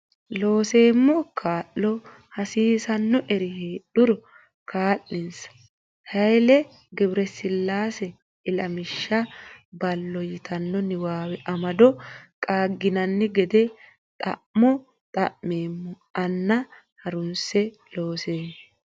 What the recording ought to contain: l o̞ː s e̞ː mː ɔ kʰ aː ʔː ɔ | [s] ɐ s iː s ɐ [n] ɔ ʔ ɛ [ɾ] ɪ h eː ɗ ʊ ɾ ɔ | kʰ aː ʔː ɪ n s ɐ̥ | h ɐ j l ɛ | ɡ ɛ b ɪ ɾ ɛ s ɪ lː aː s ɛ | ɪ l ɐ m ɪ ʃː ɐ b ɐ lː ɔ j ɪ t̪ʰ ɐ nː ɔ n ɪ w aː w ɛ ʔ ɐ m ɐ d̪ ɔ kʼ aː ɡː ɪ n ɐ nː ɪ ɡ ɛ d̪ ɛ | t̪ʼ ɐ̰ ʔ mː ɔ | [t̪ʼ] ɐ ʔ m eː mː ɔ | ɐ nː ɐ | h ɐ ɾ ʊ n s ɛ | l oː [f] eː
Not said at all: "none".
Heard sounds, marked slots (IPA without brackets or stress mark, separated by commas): h, nː, ɾ, t̪ʼ, s